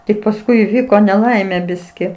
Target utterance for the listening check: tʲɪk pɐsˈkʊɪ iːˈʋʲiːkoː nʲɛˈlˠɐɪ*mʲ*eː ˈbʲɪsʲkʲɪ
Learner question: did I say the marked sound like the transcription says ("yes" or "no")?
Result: yes